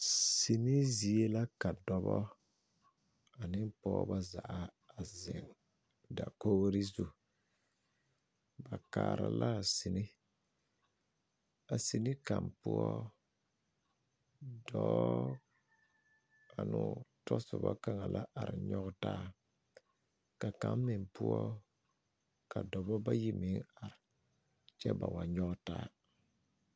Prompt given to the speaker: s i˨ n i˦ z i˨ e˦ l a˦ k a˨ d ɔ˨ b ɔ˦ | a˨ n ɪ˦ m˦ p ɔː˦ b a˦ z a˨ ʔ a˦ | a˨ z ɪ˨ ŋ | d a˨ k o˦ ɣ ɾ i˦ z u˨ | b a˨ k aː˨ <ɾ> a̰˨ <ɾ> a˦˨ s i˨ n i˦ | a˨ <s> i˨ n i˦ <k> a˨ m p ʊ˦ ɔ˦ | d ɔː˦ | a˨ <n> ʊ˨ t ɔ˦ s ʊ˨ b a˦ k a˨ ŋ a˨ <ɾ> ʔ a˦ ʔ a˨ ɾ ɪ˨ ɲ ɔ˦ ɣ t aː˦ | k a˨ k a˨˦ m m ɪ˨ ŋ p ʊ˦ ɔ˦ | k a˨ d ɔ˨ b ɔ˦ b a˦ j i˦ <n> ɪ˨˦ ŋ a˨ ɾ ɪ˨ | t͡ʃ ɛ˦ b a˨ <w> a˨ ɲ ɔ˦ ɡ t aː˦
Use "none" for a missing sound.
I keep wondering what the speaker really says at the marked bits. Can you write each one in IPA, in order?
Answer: ɾ, l, s, k, n, l, m, w

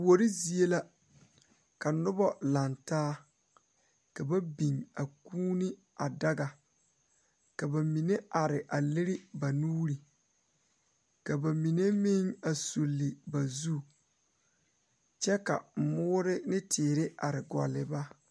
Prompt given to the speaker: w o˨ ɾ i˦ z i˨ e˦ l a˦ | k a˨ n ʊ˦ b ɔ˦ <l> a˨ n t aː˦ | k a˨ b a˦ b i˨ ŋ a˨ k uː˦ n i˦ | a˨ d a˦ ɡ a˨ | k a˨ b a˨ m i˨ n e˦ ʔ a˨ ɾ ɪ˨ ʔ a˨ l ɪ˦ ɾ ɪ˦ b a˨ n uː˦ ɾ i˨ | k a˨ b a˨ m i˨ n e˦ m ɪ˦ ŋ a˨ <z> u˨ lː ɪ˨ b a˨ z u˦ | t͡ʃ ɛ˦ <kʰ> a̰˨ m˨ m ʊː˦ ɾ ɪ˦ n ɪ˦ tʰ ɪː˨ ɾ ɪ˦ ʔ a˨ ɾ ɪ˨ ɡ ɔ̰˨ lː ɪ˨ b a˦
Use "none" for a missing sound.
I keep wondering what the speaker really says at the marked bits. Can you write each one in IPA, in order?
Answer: l, s, k

